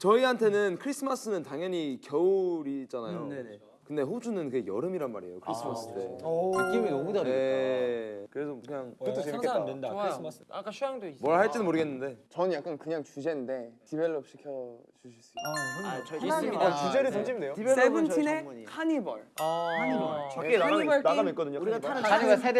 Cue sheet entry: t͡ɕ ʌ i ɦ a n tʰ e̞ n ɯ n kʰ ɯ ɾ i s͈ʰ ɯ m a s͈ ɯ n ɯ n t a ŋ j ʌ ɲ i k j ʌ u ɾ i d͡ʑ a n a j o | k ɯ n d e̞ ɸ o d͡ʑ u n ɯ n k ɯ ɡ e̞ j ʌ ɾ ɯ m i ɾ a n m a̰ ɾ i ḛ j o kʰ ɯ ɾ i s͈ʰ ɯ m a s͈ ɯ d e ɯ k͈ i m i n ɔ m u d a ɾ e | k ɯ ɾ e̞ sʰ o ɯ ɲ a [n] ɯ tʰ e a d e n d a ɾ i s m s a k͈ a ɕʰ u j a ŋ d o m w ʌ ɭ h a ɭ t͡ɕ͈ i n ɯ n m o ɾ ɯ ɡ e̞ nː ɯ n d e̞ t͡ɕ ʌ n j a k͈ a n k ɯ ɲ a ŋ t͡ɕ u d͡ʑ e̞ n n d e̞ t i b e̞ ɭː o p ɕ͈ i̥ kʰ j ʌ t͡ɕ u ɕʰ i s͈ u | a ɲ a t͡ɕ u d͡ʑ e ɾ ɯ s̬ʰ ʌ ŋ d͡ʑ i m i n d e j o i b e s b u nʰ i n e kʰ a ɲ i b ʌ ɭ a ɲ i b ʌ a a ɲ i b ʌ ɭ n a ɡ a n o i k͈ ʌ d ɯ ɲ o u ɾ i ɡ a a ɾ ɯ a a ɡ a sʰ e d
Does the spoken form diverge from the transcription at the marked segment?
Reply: yes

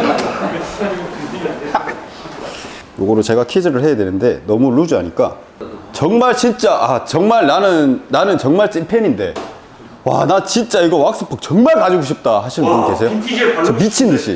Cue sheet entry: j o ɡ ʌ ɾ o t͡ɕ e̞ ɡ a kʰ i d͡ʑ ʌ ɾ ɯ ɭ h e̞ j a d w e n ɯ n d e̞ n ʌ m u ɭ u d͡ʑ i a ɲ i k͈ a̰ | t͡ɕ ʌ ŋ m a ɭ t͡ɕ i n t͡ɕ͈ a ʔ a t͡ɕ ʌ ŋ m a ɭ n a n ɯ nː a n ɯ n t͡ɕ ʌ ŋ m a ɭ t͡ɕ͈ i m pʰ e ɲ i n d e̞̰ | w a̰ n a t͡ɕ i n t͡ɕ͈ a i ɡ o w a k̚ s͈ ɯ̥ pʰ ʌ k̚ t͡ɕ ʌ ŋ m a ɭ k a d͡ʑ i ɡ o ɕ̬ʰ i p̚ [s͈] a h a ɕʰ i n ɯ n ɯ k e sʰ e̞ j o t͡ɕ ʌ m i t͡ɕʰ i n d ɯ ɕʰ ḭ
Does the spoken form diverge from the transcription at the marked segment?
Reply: yes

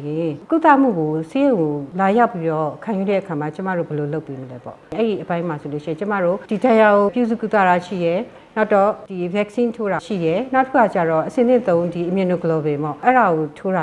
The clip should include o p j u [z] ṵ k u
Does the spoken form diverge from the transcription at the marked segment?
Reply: no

